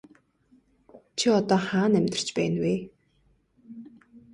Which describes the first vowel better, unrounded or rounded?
unrounded